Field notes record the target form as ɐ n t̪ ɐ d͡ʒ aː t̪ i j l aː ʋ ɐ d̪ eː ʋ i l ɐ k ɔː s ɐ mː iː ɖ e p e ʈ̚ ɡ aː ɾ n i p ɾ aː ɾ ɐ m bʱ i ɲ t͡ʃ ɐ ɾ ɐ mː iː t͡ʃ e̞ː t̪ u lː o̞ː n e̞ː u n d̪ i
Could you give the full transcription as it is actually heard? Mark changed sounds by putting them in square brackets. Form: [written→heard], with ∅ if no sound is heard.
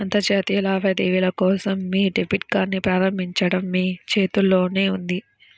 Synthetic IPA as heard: ɐ n t̪ ɐ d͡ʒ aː t̪ i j l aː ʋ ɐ d̪ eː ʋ i l ɐ k ɔː s ɐ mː iː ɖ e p [e→i] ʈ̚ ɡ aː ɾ n i p ɾ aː ɾ ɐ m bʱ i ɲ t͡ʃ ɐ [ɾ→ɽ] ɐ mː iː t͡ʃ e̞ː t̪ u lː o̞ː n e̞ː u n d̪ i